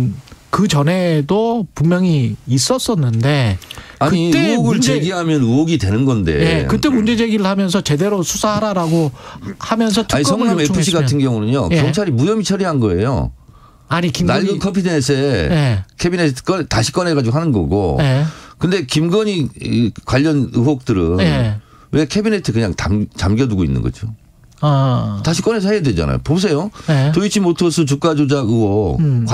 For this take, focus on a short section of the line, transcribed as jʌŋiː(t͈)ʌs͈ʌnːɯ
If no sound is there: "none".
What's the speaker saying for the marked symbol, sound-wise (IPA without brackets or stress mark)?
s͈